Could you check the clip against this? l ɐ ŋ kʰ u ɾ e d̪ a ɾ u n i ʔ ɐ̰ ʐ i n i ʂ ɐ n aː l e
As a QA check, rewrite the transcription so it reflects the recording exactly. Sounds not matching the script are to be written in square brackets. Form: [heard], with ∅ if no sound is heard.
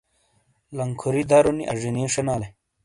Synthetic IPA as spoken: l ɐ ŋ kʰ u ɾ [i] d̪ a ɾ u n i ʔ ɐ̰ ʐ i n i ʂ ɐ n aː l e